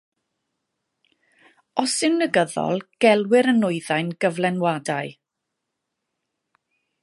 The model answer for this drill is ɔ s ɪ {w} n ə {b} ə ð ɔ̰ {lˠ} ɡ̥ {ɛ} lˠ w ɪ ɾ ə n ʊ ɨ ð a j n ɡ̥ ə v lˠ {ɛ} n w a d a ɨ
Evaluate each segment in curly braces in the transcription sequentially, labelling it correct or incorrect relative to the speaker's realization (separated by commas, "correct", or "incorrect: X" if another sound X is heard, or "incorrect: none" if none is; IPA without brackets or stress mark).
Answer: correct, incorrect: ɡ, correct, correct, correct